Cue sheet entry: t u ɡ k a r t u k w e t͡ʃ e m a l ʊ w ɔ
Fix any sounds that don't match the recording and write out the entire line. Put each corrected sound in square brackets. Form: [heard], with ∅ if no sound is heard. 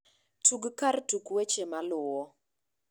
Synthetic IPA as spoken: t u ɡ k a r t u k w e t͡ʃ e m a l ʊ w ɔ